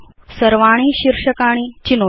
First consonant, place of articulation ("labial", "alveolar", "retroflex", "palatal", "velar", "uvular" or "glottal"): alveolar